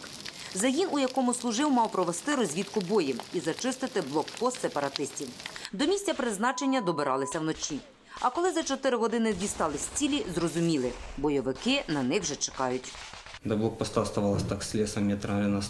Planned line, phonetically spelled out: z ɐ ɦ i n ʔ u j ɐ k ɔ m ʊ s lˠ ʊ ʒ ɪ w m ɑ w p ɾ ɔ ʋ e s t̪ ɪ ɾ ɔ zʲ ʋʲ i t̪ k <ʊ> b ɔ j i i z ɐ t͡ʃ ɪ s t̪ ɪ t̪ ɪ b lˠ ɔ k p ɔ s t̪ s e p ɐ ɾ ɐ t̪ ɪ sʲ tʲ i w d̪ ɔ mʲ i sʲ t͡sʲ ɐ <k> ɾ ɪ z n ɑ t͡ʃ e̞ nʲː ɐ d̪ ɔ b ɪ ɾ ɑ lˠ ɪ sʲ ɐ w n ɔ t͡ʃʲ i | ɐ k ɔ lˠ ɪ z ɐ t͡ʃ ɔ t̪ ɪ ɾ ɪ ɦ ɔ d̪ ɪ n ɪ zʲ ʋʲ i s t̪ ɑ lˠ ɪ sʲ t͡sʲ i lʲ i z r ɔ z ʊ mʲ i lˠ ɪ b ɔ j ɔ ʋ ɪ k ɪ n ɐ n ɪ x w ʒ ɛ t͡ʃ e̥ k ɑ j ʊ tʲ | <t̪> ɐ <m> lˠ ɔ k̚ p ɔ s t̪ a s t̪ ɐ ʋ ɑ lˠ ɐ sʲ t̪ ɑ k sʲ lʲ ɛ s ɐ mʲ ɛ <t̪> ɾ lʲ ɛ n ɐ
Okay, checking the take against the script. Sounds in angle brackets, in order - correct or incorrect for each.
correct, incorrect: p, incorrect: d̪, incorrect: b, correct

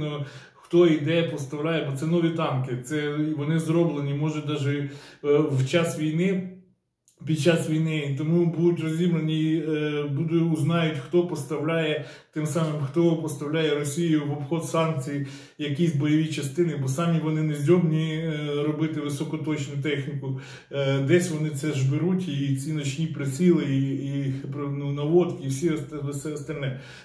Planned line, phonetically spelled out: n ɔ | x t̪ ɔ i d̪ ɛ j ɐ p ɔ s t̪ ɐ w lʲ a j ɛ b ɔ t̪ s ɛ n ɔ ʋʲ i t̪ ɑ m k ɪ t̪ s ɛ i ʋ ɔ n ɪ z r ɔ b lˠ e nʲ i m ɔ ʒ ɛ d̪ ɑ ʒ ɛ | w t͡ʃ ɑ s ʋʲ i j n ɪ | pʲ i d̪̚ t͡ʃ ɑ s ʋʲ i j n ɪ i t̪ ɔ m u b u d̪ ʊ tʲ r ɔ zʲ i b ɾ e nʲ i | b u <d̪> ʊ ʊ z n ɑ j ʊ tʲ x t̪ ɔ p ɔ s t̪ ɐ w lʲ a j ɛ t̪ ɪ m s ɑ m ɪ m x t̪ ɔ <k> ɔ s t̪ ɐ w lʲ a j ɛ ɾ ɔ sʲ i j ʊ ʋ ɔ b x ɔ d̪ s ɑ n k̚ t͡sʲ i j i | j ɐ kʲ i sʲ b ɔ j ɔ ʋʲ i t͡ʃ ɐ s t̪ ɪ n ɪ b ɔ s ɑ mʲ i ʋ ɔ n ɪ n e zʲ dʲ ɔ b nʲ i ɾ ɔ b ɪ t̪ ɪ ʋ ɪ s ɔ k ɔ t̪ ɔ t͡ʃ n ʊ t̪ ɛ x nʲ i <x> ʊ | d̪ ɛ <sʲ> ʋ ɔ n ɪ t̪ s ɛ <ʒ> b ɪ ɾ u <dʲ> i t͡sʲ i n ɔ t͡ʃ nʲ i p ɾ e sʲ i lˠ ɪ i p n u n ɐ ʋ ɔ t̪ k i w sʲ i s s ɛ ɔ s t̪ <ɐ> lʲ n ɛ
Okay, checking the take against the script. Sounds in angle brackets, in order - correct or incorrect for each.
correct, incorrect: p, incorrect: k, correct, correct, incorrect: tʲ, correct

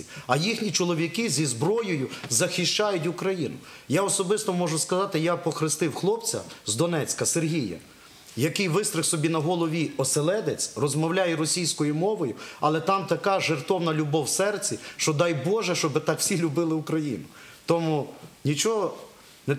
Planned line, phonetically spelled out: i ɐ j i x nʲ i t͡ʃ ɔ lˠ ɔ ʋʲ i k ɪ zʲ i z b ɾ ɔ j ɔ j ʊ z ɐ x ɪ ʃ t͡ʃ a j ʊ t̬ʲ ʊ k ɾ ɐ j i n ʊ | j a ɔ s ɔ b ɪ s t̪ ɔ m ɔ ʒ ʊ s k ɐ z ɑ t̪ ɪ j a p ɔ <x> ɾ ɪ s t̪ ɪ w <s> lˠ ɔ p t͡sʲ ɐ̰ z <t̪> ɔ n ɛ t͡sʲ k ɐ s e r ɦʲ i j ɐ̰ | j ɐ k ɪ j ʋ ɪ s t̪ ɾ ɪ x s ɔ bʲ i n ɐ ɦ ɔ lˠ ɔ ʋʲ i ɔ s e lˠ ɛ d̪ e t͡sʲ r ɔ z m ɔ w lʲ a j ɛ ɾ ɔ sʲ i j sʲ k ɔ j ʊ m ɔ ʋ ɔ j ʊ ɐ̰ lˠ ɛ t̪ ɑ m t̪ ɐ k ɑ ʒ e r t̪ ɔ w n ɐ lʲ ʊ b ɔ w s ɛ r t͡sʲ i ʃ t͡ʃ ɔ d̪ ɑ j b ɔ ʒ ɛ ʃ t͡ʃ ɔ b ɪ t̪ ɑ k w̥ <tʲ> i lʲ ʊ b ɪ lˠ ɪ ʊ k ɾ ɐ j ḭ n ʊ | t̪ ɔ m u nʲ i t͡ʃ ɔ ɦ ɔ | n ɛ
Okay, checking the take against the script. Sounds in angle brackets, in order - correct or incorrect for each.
correct, incorrect: x, incorrect: d̪, incorrect: sʲ

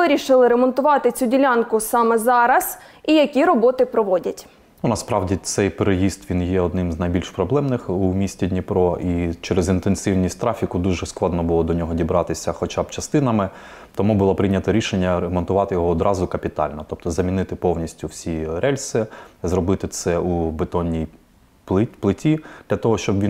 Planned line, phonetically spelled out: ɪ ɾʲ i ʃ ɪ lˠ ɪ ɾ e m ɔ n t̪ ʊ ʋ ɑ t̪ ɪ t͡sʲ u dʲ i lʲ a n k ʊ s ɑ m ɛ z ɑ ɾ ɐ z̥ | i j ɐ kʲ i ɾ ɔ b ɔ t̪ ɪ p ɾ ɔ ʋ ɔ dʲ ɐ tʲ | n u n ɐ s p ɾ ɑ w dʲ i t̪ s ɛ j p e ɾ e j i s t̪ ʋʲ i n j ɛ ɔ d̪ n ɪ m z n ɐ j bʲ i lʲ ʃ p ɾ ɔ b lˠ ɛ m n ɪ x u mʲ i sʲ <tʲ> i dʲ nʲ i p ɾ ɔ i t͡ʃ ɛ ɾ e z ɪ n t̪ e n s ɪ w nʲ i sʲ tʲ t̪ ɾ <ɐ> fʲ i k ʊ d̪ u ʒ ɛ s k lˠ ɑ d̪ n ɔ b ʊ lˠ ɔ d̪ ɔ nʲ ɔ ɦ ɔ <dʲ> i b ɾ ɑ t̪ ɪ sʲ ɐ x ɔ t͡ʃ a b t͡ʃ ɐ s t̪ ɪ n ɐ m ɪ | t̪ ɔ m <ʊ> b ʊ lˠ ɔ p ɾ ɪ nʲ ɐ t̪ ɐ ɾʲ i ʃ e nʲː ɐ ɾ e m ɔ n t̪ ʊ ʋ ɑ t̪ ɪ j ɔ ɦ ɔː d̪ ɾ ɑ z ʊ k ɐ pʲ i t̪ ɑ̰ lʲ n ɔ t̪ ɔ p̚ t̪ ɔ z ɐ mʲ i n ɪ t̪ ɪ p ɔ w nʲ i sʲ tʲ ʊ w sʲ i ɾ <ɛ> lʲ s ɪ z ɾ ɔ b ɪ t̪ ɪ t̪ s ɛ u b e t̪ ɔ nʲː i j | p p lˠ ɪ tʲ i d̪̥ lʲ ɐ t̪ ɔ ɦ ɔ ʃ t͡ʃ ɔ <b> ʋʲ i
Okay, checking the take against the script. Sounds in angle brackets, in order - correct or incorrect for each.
correct, incorrect: ɑ, correct, incorrect: u, correct, correct

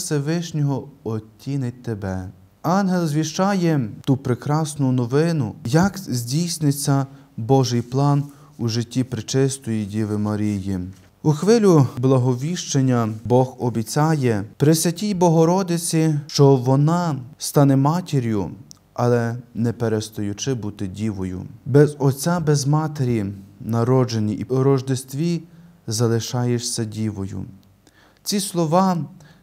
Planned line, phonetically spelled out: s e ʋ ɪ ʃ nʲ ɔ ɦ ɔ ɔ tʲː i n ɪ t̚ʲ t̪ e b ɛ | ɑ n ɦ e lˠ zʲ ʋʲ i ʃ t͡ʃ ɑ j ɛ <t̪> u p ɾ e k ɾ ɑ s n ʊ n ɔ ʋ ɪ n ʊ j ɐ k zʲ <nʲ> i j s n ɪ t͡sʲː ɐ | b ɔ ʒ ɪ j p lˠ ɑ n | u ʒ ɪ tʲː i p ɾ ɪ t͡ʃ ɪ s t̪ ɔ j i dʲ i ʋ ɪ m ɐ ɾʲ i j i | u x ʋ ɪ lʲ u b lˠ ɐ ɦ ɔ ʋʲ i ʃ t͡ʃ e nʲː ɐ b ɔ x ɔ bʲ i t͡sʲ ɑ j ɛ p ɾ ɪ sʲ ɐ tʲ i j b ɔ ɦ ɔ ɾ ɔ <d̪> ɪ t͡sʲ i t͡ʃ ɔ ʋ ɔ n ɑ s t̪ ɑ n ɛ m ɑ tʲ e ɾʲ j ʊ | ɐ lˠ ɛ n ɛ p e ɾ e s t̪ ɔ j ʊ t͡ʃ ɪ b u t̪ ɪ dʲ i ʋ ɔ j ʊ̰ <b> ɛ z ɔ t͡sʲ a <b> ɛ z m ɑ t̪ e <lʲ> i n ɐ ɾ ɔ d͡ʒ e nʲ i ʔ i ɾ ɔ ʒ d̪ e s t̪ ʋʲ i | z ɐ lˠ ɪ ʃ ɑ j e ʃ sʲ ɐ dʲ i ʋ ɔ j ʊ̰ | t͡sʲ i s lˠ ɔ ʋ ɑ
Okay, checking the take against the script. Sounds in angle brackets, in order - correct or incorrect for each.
correct, incorrect: dʲ, correct, correct, correct, incorrect: ɾʲ

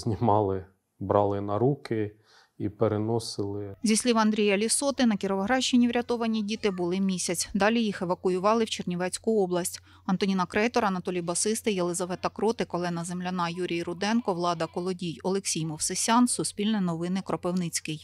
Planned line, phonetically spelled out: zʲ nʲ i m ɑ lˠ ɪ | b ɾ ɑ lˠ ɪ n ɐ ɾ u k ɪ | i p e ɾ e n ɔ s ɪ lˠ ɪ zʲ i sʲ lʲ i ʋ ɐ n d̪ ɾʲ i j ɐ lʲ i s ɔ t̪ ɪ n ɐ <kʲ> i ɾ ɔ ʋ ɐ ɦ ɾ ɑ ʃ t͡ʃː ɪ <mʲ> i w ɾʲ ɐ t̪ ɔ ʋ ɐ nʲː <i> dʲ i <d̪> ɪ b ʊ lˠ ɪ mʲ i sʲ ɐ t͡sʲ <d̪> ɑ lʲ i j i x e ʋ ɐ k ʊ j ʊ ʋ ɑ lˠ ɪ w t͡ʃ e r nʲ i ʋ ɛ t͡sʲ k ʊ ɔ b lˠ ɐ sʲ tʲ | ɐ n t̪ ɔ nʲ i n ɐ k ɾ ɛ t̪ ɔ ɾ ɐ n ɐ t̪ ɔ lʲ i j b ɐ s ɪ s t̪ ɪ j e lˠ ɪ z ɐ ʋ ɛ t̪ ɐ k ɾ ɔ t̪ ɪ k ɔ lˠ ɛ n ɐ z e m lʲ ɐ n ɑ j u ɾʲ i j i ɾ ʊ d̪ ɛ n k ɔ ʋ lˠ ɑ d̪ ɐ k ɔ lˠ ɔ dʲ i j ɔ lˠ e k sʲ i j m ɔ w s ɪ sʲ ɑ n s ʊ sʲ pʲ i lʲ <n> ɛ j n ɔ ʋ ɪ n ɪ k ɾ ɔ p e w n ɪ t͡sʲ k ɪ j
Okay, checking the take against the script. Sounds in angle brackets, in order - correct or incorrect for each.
correct, incorrect: nʲ, correct, incorrect: t̪, correct, correct

